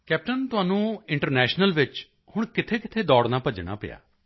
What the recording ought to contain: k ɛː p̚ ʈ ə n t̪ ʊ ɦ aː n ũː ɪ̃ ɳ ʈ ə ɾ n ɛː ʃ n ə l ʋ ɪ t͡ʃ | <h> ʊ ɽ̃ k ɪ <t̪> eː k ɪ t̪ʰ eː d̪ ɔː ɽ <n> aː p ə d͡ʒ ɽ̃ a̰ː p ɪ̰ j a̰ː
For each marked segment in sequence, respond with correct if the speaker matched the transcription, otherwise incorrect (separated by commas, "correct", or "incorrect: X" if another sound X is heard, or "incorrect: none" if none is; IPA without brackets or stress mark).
correct, incorrect: t̪ʰ, correct